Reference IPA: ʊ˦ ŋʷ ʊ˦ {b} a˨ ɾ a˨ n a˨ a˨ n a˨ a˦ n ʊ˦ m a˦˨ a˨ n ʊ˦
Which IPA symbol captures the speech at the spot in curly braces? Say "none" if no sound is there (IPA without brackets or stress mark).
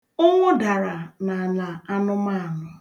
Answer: d